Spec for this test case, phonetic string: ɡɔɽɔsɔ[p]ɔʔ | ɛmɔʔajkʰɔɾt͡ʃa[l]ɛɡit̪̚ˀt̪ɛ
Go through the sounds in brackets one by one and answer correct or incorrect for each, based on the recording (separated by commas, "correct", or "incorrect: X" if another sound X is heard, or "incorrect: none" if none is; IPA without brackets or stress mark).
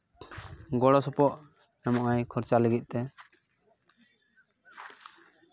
correct, correct